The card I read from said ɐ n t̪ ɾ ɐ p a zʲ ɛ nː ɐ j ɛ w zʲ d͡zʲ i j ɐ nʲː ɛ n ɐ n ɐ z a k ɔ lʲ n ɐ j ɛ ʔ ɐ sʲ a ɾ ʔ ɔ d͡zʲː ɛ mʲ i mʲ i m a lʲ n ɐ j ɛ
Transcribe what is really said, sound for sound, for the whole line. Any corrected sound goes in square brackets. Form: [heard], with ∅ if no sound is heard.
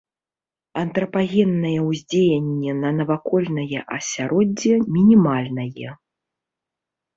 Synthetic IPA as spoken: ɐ n t̪ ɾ ɐ p a [ɣʲ] ɛ nː ɐ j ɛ w zʲ d͡zʲ [e] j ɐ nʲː ɛ n ɐ n ɐ [v] a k ɔ lʲ n ɐ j ɛ ʔ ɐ sʲ a ɾ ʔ ɔ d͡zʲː ɛ mʲ i [nʲ] i m a lʲ n ɐ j ɛ